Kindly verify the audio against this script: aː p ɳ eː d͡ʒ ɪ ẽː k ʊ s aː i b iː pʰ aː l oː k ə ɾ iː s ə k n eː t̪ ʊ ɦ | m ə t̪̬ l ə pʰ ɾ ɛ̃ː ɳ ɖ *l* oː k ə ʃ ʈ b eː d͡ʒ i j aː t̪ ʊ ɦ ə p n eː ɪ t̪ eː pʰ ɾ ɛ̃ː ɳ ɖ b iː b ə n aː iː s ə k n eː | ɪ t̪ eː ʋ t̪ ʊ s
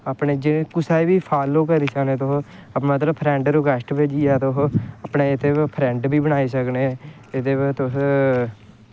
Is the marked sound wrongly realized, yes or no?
yes